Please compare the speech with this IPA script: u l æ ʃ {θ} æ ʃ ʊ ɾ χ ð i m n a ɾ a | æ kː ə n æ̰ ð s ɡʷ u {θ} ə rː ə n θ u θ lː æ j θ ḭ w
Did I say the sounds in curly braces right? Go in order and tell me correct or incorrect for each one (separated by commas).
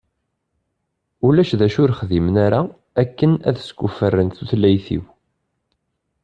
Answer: incorrect, incorrect